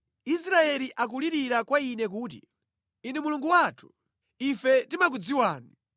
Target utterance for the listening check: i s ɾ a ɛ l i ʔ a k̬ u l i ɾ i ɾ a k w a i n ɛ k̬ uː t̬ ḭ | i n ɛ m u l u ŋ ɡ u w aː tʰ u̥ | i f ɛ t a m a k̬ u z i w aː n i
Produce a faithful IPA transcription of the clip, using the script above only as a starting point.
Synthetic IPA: i s ɾ a ɛ l i ʔ a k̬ u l i ɾ i ɾ a k w a i n ɛ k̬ uː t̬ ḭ | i n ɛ m u l u ŋ ɡ u w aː tʰ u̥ | i f ɛ t i m a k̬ u d͡z i w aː n i